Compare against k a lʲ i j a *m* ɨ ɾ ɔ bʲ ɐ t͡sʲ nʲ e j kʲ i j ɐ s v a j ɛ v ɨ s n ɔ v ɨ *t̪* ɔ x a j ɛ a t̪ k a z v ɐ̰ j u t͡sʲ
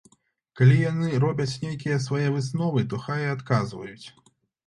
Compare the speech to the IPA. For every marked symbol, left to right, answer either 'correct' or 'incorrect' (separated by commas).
incorrect, correct